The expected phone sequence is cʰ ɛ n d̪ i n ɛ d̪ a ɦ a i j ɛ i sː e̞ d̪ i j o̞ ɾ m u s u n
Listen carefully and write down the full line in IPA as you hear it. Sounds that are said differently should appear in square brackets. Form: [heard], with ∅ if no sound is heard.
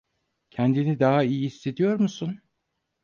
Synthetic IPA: cʰ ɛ n d̪ i n [i] d̪ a ɦ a i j [i] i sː e̞ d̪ i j o̞ ɾ m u s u n